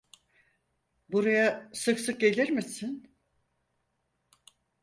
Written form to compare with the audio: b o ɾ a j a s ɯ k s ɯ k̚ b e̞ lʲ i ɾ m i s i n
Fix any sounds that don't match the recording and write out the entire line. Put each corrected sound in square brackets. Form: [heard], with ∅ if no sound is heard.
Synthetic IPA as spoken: b [u] ɾ a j a s ɯ k s ɯ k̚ [ɟ] e̞ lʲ i ɾ m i s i n